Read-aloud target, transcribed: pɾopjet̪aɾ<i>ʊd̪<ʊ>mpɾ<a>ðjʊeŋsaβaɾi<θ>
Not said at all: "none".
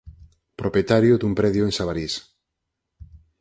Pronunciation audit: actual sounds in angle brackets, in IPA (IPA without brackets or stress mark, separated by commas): j, u, ɛ, s